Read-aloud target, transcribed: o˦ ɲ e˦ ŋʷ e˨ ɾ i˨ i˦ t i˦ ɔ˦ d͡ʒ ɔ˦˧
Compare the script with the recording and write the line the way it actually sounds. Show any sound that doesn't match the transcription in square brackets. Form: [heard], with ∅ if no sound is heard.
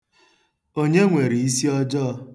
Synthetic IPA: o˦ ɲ e˦ ŋʷ e˨ ɾ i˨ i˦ [s] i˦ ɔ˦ d͡ʒ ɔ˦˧